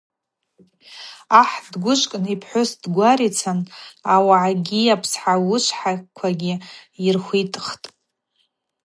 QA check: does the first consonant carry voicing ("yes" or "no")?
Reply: no